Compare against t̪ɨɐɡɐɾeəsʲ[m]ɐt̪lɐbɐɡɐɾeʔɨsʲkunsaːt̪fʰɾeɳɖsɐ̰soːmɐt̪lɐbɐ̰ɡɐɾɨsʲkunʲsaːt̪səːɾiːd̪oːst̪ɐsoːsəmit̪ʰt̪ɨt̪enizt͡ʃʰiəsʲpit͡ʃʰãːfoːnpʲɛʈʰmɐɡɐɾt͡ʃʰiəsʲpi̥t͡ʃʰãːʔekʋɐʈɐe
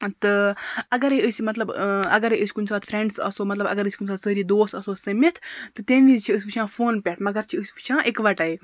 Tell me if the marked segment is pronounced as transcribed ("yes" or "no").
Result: yes